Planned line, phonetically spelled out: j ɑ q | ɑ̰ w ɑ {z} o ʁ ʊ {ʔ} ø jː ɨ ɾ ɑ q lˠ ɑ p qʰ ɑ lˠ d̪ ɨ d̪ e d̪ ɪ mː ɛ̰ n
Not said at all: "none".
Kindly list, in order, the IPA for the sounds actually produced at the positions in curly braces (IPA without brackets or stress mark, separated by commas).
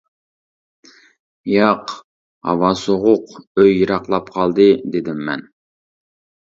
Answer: s, q